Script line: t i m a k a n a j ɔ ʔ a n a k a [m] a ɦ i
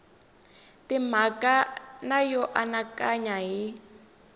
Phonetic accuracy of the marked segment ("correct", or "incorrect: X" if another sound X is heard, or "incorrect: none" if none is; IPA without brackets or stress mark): incorrect: ɲ